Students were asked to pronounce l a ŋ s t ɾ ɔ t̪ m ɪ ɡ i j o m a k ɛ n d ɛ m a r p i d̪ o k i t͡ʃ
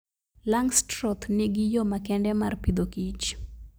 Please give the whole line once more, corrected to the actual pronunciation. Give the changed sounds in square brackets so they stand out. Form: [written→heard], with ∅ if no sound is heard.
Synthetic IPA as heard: l a ŋ s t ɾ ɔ t̪ [m→n] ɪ ɡ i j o m a k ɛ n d ɛ m a r p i d̪ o k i t͡ʃ